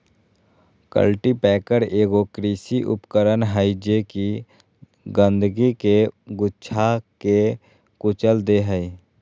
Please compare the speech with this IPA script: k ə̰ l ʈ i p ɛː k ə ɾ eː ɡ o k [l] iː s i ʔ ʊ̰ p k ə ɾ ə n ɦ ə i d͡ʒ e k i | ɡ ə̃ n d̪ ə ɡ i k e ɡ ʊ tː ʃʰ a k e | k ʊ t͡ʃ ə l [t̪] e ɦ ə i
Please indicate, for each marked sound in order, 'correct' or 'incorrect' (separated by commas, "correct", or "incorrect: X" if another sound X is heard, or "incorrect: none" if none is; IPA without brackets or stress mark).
incorrect: ɾ, incorrect: d̪